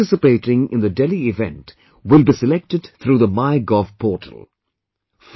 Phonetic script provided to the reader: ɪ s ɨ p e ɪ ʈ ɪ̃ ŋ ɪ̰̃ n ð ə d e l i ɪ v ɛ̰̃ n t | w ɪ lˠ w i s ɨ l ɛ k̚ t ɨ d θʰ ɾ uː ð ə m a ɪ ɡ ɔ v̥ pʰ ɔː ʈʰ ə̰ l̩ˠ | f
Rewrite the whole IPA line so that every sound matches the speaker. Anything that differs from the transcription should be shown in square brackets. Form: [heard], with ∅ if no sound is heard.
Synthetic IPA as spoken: ɪ s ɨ p e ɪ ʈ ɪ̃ ŋ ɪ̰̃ n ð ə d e l i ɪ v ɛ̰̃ n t | w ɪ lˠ [b] i s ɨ l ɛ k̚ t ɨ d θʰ ɾ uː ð ə m a ɪ ɡ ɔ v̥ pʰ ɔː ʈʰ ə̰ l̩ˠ | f